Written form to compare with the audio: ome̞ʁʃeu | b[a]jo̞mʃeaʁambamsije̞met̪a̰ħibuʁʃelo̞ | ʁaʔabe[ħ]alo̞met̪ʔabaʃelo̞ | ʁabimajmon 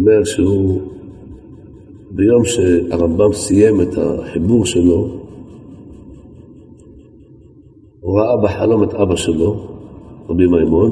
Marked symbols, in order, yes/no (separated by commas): no, yes